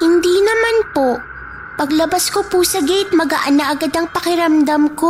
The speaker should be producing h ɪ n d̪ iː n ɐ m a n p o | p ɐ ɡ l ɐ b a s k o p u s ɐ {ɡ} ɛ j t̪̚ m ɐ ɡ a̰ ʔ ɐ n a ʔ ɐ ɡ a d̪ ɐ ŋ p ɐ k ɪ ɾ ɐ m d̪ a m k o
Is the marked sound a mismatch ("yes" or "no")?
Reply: no